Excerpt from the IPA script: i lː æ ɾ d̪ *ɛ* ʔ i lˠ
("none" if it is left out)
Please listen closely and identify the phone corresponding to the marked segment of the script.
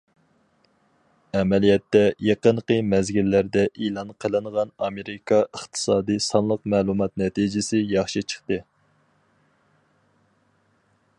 ɛ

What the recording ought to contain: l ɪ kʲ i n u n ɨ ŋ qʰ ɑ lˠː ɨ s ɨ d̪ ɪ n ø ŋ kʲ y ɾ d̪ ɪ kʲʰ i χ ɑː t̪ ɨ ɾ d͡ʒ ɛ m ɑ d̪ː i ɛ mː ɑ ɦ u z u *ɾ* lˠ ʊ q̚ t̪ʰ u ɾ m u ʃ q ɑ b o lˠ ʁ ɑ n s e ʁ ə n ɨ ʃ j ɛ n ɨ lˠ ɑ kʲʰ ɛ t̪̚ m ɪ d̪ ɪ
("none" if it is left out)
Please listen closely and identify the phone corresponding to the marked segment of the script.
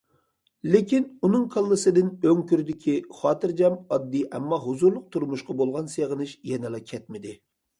ɾ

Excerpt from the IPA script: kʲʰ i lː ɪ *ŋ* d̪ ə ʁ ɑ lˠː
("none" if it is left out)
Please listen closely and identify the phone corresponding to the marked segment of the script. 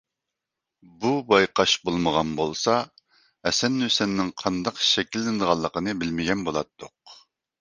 n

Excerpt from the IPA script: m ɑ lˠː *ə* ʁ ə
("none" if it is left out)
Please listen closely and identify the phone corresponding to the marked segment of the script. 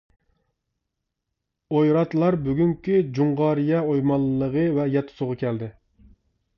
ə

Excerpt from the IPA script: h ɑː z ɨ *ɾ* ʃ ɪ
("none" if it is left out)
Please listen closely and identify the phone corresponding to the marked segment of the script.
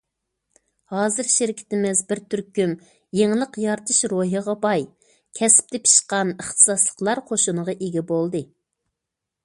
ɾ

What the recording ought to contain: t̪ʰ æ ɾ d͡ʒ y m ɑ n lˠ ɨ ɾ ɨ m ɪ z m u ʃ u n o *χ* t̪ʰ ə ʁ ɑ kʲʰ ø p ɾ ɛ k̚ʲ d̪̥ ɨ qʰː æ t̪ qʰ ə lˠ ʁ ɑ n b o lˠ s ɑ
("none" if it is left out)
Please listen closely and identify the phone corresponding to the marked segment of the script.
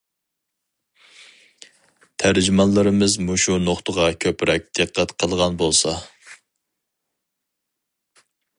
χ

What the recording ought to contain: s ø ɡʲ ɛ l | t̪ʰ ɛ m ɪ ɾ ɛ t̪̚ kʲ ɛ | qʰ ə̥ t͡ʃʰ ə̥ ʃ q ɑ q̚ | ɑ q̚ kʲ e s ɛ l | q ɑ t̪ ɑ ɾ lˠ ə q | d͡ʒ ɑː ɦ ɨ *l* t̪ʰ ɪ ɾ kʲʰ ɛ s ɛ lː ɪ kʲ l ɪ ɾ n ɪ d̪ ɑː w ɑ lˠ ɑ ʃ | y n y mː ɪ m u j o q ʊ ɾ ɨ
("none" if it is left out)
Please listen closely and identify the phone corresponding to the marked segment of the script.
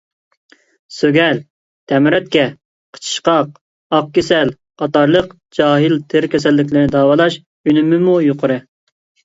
l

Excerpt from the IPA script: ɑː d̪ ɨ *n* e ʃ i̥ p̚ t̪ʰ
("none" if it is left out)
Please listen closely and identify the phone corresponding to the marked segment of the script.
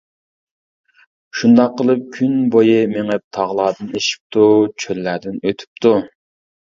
n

